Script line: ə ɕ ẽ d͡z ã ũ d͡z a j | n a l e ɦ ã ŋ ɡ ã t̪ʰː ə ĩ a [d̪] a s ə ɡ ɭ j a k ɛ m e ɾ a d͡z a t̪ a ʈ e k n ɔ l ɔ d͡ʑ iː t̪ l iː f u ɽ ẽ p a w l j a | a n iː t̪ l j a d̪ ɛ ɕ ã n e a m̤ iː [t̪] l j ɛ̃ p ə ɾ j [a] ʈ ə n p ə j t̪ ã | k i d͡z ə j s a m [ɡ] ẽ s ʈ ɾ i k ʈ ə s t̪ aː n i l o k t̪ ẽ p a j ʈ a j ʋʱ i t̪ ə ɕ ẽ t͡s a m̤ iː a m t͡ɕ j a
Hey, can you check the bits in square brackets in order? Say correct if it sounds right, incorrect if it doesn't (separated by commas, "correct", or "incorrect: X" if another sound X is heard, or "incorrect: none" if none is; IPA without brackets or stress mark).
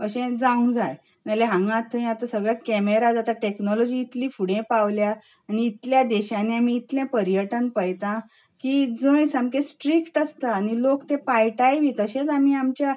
incorrect: t̪, correct, incorrect: ə, incorrect: k